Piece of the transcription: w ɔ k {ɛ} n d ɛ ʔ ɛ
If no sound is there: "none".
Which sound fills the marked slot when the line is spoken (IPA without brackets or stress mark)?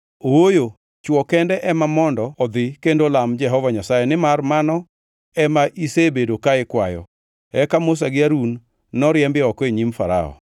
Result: ɛ